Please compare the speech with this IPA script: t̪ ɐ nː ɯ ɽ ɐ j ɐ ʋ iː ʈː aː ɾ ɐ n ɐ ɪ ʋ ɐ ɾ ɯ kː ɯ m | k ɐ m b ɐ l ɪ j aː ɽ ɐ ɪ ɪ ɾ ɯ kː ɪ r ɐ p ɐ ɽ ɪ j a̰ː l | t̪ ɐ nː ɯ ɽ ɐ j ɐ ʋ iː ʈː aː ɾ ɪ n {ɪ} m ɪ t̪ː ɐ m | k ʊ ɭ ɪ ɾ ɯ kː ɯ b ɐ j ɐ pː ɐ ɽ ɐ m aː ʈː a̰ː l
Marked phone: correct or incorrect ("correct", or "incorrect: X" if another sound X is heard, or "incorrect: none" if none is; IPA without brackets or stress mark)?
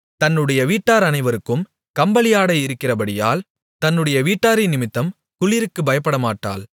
correct